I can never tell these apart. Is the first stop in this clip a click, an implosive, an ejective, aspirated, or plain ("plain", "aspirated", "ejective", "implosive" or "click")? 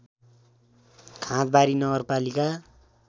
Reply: aspirated